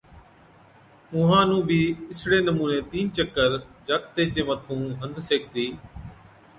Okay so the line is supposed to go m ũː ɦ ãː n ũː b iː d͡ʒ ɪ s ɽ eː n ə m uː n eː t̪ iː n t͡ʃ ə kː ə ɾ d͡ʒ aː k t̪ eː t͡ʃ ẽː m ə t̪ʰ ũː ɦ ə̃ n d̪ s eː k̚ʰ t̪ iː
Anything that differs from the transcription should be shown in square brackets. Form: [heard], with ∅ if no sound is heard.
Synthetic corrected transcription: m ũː ɦ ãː n ũː b iː [∅] ɪ s ɽ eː n ə m uː n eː t̪ iː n t͡ʃ ə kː ə ɾ d͡ʒ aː k t̪ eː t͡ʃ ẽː m ə t̪ʰ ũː ɦ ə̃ n d̪ s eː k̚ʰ t̪ iː